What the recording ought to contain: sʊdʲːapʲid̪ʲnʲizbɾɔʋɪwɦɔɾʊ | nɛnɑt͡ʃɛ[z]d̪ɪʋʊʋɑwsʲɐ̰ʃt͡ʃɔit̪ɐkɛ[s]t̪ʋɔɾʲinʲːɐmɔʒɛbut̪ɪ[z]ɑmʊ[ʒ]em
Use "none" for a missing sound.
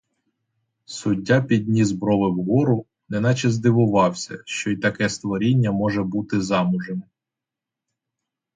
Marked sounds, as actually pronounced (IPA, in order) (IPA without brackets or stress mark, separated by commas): z, s, z, ʒ